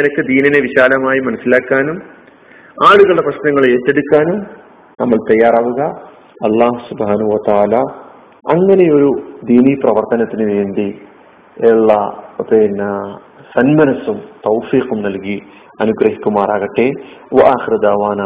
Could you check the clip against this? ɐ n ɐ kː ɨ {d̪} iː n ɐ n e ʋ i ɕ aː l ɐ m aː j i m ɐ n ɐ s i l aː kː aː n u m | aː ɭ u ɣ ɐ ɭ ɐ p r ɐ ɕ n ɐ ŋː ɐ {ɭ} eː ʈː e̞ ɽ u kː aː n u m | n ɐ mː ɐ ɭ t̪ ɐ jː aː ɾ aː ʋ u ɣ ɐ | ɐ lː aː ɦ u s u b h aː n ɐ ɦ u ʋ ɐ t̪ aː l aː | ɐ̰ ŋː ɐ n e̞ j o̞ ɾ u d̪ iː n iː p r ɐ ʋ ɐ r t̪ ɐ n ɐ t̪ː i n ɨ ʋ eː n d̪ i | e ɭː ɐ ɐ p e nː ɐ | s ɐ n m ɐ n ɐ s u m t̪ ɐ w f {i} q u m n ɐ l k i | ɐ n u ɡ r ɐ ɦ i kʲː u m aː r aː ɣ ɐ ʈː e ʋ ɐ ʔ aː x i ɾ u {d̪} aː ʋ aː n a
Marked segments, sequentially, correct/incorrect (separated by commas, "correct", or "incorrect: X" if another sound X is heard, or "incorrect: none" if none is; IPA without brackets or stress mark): correct, correct, incorrect: iː, correct